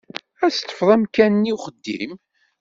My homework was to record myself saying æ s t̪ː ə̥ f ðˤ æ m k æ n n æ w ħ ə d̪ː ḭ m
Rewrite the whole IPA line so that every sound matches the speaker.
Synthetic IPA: æ s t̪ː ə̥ f ðˤ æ m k æ n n i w χ ə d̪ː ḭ m